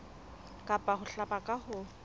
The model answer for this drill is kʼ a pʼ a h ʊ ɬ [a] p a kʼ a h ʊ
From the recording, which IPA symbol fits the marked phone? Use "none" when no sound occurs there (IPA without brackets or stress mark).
a